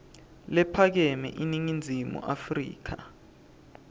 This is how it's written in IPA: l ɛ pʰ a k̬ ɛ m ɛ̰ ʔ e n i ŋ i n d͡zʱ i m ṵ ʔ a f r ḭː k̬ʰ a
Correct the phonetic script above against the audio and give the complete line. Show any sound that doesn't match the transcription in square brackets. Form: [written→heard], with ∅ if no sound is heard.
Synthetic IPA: l ɛ pʰ a k̬ ɛ m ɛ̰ ʔ [e→i] n i ŋ i n d͡zʱ i m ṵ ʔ a f r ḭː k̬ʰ a